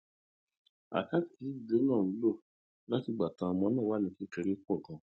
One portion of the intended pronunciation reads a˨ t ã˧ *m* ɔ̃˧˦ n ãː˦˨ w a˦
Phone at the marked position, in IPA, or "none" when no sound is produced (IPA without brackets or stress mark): m